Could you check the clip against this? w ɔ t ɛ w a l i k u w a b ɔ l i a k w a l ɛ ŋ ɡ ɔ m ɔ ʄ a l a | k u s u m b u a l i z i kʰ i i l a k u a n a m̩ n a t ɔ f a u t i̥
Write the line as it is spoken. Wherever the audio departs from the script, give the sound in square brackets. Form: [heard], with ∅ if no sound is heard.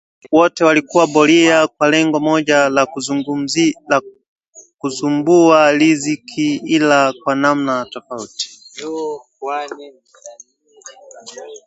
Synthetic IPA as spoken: w ɔ t ɛ w a l i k u w a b ɔ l i a k w a l ɛ ŋ ɡ ɔ m ɔ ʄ a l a | k u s u m b u a l i z i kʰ i i l a k [w] a n a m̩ n a t ɔ f a u t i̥

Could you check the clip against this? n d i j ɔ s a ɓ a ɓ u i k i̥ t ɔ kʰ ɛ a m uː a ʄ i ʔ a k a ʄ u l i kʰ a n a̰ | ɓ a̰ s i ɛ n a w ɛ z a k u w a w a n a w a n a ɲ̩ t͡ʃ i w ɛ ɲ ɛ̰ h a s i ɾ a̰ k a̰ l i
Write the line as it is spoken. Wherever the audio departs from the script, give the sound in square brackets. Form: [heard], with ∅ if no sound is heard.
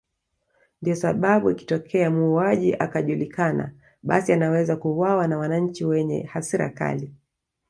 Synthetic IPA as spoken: n d i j ɔ s a ɓ a ɓ u i k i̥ t ɔ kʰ ɛ a m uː a ʄ i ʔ a k a ʄ u l i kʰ a n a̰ | ɓ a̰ s i [a] n a w ɛ z a k u w a w a n a w a n a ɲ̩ t͡ʃ i w ɛ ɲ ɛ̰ h a s i ɾ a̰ k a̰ l i

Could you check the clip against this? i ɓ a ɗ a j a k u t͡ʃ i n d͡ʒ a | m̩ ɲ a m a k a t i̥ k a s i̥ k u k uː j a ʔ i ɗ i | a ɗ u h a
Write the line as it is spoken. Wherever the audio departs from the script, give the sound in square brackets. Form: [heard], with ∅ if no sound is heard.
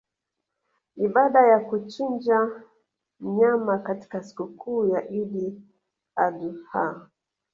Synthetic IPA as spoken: i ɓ a ɗ a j a k u t͡ʃ i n d͡ʒ a | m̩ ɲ a m a k a t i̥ k a s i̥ k u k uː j a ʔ i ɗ i | a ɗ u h a

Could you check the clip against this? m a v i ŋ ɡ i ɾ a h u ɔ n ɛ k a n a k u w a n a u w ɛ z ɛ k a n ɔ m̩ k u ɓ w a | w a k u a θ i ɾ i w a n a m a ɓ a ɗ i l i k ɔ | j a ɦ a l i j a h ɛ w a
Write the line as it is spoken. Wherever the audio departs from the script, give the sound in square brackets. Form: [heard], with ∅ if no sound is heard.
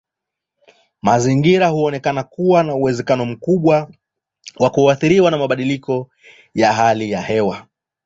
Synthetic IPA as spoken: m a [z] i ŋ ɡ i ɾ a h u ɔ n ɛ k a n a k u w a n a u w ɛ z ɛ k a n ɔ m̩ k u ɓ w a | w a k u a θ i ɾ i w a n a m a ɓ a ɗ i l i k ɔ | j a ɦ a l i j a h ɛ w a

